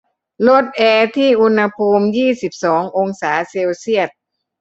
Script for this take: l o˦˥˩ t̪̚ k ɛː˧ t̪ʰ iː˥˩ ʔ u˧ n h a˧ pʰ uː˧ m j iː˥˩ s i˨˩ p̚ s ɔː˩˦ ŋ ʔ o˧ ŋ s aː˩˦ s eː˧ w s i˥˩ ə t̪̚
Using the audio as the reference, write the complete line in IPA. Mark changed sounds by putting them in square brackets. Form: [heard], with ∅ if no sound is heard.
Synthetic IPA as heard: l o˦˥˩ t̪̚ [ʔ] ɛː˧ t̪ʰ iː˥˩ ʔ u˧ n h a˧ pʰ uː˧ m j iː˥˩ s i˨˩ p̚ s ɔː˩˦ ŋ ʔ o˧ ŋ s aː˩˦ s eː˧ w s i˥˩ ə t̪̚